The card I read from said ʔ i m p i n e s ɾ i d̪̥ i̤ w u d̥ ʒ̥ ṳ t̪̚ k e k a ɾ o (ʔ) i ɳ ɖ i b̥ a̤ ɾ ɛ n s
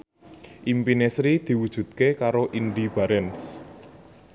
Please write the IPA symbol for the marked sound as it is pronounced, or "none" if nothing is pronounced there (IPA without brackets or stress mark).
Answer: ʔ